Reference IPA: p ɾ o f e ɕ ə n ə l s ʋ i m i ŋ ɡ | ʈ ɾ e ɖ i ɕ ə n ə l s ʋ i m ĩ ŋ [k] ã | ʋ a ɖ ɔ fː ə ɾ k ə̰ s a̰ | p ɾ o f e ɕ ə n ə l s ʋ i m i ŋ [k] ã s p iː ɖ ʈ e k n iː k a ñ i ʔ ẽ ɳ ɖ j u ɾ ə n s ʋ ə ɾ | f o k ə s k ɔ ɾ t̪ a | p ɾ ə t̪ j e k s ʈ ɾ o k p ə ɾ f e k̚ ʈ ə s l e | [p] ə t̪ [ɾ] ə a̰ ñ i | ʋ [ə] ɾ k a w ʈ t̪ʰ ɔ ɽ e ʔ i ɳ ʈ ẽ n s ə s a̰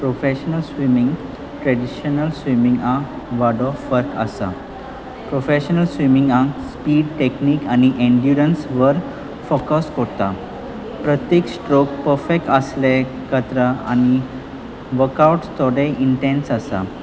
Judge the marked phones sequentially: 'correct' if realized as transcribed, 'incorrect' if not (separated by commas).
incorrect, incorrect, incorrect, correct, correct